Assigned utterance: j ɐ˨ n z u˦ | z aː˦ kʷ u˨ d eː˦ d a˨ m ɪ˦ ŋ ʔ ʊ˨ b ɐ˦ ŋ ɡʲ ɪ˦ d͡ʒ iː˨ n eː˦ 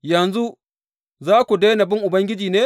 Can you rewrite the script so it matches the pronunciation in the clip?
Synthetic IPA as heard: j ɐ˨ n z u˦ | z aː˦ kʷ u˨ d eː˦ n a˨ b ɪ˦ ŋ ʔ ʊ˨ b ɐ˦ ŋ ɡʲ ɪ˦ d͡ʒ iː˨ n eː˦